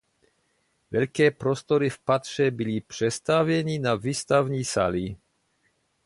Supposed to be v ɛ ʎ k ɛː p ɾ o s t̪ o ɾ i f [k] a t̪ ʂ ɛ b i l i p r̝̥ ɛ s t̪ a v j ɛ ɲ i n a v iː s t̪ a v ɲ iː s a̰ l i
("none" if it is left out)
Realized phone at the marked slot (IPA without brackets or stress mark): p